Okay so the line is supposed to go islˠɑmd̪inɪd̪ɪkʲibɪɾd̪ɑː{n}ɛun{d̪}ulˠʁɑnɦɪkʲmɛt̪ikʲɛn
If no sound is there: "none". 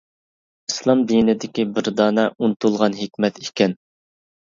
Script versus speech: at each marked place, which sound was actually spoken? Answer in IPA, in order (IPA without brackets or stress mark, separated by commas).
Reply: n, t̪